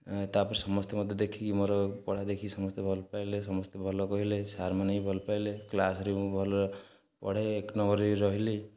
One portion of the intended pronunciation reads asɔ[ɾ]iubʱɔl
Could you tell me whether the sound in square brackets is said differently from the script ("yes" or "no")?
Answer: no